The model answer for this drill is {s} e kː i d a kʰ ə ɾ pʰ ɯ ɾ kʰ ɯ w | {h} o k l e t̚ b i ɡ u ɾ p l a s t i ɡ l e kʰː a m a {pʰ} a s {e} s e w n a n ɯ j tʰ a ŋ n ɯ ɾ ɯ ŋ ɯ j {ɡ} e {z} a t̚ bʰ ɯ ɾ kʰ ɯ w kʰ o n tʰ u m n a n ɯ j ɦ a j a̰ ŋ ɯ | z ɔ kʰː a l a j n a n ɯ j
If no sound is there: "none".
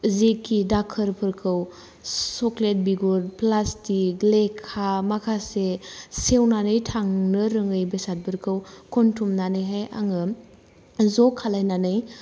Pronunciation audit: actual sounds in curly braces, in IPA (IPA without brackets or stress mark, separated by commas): z, s, kʰ, e, b, s